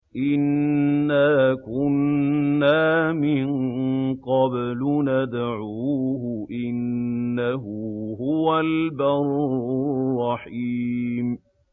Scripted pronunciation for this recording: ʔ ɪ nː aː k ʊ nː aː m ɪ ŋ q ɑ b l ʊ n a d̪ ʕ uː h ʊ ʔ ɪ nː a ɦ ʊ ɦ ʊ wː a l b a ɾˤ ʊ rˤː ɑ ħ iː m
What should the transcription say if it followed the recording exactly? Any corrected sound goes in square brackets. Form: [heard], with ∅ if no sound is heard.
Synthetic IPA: ʔ ɪ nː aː k ʊ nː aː m ɪ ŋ q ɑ b l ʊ n a d̪ ʕ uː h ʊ ʔ ɪ nː a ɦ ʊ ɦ ʊ [w] a l b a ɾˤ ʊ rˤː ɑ ħ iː m